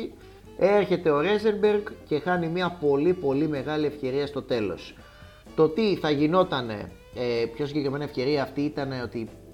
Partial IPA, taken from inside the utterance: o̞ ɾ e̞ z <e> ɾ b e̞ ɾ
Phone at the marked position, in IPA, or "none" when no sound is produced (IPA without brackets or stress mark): e